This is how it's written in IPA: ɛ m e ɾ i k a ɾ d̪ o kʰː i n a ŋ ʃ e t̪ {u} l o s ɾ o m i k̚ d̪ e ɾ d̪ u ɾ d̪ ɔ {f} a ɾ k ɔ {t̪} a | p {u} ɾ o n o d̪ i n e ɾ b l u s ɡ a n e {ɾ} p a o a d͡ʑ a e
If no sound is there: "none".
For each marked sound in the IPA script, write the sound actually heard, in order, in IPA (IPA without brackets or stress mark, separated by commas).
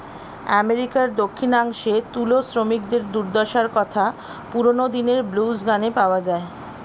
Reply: u, ʃ, t̪ʰ, u, none